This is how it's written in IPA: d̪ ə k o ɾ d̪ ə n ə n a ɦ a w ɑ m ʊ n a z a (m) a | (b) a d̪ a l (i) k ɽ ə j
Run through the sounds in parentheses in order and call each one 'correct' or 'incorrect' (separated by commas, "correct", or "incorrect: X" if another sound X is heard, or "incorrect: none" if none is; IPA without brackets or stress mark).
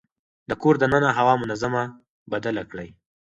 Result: correct, correct, incorrect: a